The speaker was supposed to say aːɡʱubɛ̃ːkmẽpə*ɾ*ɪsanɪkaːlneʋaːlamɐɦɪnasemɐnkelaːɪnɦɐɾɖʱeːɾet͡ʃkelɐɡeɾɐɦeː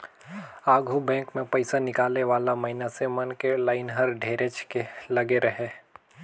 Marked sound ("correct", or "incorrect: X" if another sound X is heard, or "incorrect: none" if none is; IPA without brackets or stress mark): incorrect: none